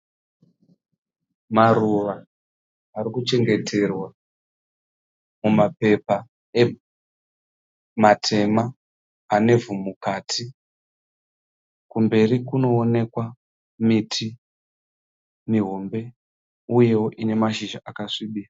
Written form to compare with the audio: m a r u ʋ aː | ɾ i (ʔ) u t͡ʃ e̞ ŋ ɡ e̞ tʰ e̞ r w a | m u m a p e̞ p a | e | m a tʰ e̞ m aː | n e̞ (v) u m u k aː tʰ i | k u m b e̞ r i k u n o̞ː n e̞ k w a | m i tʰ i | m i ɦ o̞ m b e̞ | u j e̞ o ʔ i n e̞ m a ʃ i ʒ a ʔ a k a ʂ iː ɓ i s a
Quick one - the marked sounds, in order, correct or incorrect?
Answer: incorrect: k, correct

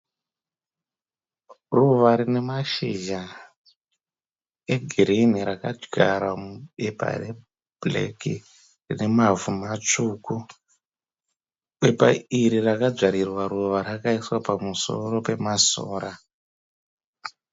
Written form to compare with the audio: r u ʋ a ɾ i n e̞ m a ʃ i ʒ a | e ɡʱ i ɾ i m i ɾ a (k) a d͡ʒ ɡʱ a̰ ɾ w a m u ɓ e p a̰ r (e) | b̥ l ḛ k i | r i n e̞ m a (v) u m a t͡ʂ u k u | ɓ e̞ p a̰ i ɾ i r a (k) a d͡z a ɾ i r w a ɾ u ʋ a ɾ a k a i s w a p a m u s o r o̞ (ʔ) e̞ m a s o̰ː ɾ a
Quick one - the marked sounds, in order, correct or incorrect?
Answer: correct, correct, correct, correct, incorrect: p

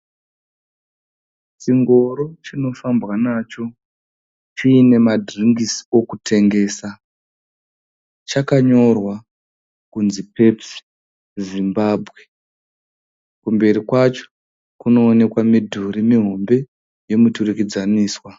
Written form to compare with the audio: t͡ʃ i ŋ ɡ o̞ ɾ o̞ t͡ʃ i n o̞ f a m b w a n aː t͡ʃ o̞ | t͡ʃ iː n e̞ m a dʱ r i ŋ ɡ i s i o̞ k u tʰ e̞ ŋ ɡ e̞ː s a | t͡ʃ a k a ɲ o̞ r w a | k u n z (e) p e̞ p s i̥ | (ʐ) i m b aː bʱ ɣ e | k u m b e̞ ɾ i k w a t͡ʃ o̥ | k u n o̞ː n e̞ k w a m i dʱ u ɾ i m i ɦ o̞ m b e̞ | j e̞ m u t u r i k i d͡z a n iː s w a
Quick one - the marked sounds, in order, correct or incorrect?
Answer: incorrect: i, incorrect: z

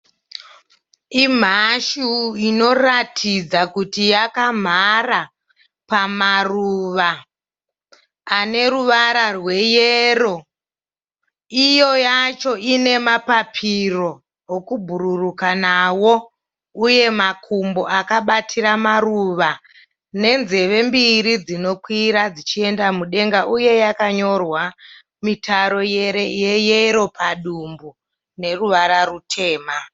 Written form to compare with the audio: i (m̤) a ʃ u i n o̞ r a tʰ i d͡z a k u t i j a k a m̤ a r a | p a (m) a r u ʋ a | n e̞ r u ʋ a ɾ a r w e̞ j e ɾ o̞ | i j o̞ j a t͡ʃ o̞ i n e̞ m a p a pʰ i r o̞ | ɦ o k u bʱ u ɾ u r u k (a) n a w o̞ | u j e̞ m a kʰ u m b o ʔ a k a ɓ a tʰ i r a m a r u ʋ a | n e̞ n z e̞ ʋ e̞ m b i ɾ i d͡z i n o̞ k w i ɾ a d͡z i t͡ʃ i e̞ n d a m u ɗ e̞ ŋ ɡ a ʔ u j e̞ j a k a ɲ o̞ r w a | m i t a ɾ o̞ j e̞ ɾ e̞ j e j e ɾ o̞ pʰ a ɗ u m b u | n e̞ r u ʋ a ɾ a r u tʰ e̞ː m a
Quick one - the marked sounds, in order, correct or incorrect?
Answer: correct, correct, correct

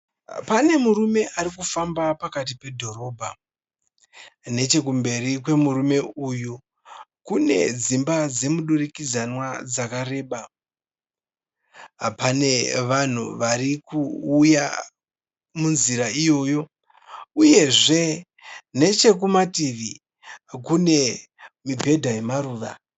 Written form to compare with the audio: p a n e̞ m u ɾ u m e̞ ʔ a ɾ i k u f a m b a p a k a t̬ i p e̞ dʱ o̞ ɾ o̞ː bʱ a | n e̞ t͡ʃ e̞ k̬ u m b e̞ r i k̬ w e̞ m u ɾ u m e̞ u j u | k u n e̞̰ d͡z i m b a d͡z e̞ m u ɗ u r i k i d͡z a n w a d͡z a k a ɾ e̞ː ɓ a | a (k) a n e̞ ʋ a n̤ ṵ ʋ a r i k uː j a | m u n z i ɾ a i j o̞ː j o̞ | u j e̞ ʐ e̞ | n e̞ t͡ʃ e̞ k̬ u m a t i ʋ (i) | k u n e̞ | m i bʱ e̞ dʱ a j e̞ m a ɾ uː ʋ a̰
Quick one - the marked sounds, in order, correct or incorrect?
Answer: incorrect: p, correct

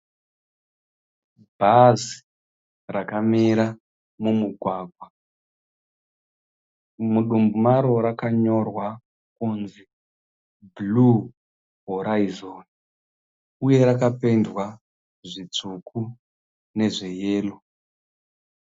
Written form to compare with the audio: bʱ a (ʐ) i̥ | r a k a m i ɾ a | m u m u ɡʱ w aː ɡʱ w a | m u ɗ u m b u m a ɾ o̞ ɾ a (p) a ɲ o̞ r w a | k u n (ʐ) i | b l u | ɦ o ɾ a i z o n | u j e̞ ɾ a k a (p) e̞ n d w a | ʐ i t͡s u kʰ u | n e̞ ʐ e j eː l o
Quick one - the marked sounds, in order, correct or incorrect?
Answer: incorrect: z, incorrect: k, incorrect: z, correct

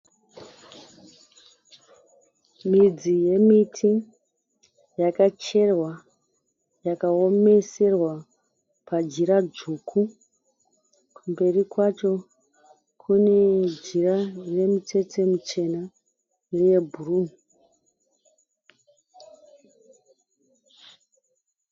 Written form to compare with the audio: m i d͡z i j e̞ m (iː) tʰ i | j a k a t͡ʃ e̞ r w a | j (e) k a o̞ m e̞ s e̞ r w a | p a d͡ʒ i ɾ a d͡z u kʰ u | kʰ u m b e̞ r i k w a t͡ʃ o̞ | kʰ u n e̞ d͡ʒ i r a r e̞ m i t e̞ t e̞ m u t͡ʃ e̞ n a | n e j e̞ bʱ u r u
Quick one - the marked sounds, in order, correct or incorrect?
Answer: incorrect: i, incorrect: a

